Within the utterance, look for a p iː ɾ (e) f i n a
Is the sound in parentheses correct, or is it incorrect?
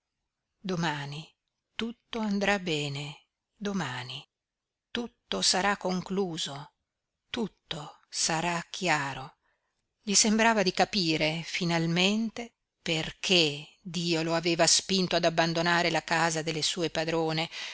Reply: correct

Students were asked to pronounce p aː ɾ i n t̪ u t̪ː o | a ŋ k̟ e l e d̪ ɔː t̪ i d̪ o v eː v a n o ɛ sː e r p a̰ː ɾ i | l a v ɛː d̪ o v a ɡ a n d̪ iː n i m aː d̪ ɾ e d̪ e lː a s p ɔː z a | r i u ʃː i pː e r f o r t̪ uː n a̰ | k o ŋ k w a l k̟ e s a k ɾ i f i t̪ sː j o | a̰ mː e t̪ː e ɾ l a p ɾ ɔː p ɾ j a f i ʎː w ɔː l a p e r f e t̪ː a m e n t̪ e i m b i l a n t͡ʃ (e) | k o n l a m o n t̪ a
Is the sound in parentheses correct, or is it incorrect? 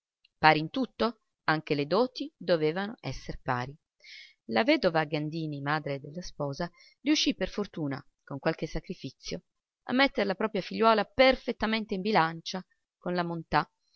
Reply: incorrect: a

